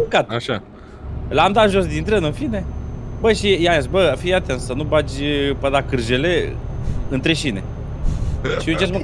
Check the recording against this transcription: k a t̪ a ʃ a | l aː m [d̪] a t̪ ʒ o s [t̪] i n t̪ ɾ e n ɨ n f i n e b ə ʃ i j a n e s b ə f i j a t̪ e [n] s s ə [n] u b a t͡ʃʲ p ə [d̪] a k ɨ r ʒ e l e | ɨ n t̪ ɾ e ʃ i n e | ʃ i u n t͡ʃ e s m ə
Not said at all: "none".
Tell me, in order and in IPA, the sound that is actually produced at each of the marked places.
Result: d̪, d̪, n, n, d̪

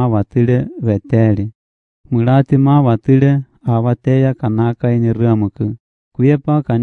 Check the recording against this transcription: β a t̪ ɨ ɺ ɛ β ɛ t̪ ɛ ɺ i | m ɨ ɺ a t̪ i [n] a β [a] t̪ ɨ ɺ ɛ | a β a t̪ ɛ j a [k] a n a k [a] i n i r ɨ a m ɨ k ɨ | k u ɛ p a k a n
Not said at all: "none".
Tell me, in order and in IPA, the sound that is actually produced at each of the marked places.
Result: m, a, k, a

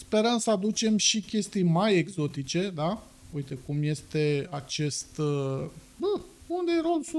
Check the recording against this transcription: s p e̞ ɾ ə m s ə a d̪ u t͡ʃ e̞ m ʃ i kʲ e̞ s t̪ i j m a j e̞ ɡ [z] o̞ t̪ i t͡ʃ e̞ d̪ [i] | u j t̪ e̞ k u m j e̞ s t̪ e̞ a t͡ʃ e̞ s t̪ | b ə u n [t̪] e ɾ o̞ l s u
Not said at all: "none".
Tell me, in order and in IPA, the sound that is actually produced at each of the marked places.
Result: z, a, d̪

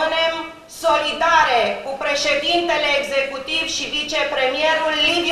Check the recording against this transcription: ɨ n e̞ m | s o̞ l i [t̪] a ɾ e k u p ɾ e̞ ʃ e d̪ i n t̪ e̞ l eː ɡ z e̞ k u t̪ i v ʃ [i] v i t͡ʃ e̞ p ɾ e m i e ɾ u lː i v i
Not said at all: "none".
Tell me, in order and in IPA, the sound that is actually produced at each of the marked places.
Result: d̪, i

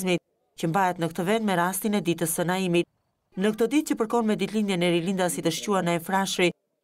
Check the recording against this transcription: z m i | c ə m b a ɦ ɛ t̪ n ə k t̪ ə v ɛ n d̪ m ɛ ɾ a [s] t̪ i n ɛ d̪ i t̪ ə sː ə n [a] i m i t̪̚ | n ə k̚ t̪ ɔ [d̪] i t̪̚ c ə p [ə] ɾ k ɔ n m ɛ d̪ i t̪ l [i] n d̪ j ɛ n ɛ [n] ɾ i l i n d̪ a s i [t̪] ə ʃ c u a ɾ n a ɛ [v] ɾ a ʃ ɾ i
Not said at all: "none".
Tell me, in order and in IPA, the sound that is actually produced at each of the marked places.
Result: s, a, d̪, ə, i, none, t̪, f

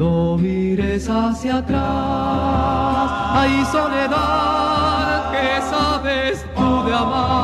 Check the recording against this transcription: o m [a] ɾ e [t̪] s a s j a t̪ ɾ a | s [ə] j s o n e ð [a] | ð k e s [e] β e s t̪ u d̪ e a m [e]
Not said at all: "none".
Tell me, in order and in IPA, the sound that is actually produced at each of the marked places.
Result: i, none, a, a, a, a

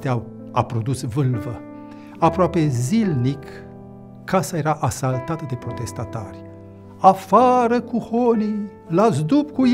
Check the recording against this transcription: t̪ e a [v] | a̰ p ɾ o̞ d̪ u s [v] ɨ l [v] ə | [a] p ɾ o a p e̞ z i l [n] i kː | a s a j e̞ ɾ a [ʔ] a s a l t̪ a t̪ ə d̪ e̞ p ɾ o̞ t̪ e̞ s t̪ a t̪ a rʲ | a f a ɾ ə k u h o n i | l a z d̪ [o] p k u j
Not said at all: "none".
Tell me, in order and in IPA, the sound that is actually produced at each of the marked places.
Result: w, v, v, a, n, ʔ, u

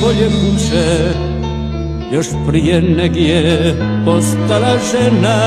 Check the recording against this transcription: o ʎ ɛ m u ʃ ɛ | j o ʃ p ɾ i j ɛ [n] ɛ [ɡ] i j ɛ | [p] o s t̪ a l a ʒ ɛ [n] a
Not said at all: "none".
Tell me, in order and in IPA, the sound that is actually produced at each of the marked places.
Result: n, ɡ, p, n

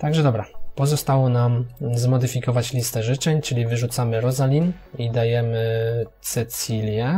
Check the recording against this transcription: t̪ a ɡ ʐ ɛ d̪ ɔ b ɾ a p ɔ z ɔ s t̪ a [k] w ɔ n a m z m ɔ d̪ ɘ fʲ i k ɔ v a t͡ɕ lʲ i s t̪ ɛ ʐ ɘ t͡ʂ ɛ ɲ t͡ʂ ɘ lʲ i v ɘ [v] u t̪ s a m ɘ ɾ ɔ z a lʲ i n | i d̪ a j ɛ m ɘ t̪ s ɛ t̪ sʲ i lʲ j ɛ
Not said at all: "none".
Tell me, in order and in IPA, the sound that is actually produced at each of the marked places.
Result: none, ʐ

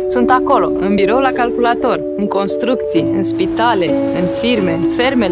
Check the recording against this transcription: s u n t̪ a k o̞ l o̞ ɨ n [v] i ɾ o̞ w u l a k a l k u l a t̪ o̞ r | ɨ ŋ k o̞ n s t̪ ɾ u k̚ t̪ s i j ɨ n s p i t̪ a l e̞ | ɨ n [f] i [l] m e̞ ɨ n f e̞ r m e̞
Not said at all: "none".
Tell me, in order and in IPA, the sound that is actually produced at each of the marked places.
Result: b, f, r

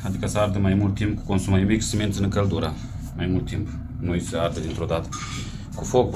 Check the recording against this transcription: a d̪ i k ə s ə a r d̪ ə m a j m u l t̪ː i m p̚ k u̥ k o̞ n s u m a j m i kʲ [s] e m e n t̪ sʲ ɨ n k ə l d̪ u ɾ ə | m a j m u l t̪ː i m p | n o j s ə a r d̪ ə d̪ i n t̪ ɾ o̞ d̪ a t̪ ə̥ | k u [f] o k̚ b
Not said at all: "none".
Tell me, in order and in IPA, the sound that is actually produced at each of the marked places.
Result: s, f

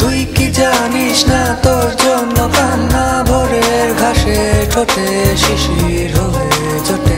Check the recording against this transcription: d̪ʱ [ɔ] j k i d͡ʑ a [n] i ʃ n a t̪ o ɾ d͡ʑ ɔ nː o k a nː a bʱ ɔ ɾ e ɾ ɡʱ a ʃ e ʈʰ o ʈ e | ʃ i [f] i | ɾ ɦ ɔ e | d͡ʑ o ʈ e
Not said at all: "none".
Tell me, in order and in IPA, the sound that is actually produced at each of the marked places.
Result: u, n, ʃ

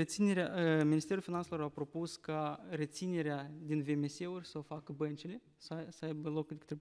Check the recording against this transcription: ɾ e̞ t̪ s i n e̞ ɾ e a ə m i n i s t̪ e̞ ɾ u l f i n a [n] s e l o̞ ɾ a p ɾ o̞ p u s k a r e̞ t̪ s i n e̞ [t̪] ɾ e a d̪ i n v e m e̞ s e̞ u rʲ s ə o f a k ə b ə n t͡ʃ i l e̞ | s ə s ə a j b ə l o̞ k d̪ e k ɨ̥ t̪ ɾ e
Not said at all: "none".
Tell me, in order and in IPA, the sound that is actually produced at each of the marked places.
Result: n, none

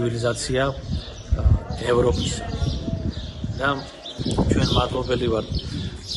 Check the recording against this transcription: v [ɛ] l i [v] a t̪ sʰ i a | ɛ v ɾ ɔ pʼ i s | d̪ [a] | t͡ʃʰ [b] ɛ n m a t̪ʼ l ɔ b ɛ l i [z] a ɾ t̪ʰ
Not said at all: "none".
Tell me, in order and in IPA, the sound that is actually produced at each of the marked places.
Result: i, z, a, w, v

